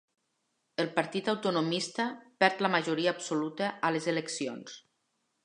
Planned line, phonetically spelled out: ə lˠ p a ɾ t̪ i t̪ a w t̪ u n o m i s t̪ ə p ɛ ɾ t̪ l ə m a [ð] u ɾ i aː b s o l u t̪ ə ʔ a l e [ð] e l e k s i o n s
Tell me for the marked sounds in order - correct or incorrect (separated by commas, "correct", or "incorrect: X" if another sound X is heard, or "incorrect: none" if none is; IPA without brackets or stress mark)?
incorrect: ʒ, incorrect: z